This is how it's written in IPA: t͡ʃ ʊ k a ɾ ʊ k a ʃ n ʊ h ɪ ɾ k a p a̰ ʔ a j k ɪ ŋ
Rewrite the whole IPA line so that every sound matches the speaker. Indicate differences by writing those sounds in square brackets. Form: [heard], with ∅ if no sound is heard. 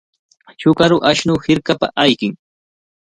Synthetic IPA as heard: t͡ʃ ʊ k a ɾ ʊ [ʔ] a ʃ n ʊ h ɪ ɾ k a p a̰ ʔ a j k ɪ ŋ

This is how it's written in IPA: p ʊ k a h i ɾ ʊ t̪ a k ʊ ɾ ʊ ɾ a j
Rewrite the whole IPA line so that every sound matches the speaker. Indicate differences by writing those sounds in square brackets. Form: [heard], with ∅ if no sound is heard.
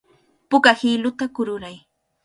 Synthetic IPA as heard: p ʊ k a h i [l] ʊ t̪ a k ʊ ɾ ʊ ɾ a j

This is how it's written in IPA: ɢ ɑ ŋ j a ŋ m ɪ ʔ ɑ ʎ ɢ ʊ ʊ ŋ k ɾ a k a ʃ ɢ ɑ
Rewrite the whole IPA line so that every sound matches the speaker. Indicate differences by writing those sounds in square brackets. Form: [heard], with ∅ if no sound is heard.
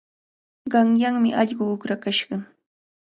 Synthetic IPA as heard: ɢ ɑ ŋ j a ŋ m ɪ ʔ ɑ ʎ ɢ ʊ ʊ [∅] k ɾ a k a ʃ ɢ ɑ

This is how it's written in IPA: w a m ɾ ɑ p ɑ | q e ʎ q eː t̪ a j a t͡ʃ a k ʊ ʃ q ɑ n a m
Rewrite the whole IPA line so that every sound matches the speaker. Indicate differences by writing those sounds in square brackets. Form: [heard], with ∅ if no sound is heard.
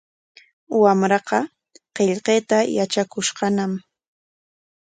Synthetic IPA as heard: w a m ɾ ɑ [q] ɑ | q e ʎ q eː t̪ a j a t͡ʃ a k ʊ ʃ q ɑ n a m

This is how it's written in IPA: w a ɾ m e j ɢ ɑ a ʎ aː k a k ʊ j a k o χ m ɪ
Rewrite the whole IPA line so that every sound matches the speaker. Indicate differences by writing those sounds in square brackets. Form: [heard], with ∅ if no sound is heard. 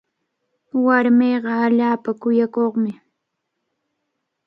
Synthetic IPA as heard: w a ɾ m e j ɢ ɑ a ʎ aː [p] a k ʊ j a k o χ m ɪ

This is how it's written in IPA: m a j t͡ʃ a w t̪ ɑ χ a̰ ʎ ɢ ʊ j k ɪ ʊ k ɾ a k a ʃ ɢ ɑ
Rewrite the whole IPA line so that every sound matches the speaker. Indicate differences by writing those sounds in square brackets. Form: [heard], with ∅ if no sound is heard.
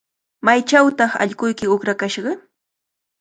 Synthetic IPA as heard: m a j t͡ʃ a w t̪ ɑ χ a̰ ʎ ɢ ʊ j k ɪ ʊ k ɾ a k a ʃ ɢ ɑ

